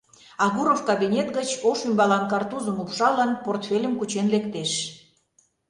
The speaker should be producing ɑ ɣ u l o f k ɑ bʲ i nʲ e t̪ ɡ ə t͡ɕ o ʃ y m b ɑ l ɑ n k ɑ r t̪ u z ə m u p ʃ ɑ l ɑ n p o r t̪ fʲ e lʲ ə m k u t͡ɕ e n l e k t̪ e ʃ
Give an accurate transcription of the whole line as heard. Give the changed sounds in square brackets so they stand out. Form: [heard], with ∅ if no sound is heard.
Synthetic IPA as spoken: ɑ ɣ u [ɾ] o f k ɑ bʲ i nʲ e t̪ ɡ ə t͡ɕ o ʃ y m b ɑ l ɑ n k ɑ r t̪ u z ə m u p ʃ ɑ l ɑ n p o r t̪ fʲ e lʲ ə m k u t͡ɕ e n l e k t̪ e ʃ